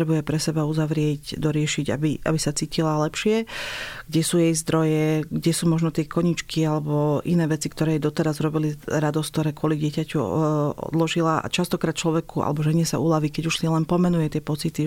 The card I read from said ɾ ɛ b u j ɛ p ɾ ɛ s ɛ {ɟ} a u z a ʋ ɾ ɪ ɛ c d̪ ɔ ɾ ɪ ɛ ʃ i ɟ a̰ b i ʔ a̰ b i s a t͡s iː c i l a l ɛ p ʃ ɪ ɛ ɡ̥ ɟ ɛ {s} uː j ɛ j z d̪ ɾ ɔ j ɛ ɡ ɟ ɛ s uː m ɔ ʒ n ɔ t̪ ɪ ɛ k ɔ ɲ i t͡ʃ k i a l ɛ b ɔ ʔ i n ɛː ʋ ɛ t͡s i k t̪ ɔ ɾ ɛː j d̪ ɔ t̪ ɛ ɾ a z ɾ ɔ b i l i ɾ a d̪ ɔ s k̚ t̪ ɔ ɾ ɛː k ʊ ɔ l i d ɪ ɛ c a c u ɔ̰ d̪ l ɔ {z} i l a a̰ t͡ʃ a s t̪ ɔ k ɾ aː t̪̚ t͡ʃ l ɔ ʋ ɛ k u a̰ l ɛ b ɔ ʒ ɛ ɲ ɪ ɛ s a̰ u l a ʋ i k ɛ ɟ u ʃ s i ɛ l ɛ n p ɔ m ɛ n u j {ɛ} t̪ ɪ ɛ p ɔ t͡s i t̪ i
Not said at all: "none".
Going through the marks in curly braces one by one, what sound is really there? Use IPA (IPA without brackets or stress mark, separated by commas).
b, s, ʒ, ɛ